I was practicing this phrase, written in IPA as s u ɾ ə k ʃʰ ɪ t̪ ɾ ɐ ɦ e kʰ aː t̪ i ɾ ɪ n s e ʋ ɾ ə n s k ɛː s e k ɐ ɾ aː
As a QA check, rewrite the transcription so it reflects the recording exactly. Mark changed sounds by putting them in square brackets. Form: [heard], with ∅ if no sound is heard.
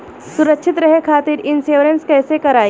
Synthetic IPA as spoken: s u ɾ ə k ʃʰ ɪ t̪ ɾ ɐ ɦ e kʰ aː t̪ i ɾ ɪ n s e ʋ ɾ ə n s k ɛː s e k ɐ ɾ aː